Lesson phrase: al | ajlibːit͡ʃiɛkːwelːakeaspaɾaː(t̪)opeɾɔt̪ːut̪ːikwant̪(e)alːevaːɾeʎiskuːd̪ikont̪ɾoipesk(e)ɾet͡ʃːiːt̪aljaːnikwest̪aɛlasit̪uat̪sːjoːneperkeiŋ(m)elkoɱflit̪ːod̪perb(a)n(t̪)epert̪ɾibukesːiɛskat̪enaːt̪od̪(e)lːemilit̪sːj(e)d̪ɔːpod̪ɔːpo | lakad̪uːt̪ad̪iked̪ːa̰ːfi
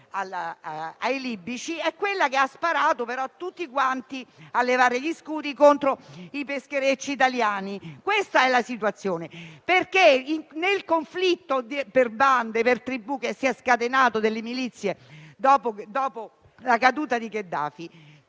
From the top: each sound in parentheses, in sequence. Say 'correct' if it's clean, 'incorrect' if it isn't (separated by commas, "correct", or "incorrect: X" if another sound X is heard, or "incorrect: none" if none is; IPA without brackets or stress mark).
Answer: correct, incorrect: i, correct, incorrect: n, correct, incorrect: d̪, correct, correct